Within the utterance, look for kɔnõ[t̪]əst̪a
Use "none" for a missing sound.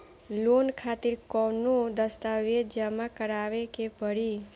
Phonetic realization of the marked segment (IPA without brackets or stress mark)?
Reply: d̪